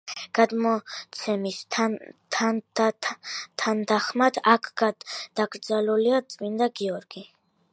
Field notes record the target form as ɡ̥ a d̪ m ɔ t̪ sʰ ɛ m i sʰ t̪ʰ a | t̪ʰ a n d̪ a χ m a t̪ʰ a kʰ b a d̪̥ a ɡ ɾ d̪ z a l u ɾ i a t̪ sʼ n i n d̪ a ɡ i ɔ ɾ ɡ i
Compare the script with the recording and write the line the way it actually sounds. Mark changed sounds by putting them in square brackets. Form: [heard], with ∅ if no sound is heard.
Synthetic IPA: ɡ̥ a d̪ m ɔ t̪ sʰ ɛ m i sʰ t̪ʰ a | t̪ʰ a n d̪ a χ m a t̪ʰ a kʰ [ɡ] a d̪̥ a ɡ ɾ d̪ z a l u [l] i a t̪ sʼ [m] i n d̪ a ɡ i ɔ ɾ ɡ i